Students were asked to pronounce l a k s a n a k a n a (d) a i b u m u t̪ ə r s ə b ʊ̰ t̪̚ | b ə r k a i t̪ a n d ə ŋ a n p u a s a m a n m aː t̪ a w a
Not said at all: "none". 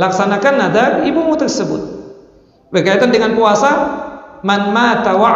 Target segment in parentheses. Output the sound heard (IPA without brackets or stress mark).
d